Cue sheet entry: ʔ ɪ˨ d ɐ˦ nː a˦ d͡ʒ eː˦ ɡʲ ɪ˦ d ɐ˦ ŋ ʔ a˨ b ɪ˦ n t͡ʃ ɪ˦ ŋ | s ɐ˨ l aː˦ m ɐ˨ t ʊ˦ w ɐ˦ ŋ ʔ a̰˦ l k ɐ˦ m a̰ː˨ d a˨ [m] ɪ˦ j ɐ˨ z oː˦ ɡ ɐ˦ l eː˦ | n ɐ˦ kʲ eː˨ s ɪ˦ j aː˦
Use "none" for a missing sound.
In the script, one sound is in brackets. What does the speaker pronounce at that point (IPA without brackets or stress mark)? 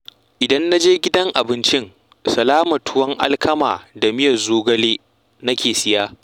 m